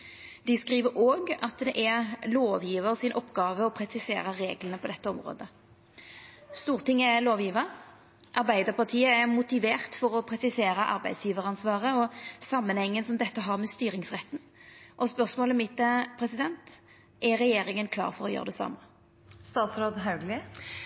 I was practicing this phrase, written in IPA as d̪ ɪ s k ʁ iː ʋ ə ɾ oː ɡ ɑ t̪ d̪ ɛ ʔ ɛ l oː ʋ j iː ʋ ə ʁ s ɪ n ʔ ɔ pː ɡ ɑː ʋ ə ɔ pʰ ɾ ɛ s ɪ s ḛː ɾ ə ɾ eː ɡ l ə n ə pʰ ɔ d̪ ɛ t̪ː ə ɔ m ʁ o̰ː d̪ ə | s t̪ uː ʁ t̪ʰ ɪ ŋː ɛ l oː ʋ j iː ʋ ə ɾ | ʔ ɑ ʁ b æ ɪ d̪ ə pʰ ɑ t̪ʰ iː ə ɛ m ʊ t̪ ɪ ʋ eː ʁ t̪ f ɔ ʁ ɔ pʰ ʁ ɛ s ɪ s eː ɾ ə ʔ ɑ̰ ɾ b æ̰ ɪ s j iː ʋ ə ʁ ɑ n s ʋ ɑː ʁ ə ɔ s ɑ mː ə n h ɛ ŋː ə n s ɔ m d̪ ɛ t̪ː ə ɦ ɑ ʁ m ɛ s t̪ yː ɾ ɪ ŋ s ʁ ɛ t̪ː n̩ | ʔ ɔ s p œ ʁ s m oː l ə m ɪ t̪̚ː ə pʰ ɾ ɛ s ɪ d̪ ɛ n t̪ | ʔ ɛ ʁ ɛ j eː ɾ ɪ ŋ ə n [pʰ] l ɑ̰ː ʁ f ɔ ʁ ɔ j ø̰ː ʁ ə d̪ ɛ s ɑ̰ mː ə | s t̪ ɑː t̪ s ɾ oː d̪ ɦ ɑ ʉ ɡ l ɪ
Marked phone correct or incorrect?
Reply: incorrect